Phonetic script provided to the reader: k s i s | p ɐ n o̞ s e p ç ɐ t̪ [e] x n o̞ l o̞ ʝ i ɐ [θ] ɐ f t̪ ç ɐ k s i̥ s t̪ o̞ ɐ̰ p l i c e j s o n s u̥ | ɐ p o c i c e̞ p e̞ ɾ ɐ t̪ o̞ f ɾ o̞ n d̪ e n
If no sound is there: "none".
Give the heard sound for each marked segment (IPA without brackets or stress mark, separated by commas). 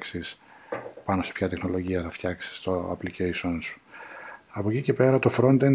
e, θ